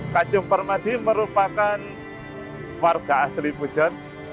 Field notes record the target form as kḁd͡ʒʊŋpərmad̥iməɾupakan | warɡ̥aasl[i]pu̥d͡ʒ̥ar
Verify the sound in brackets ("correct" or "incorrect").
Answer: correct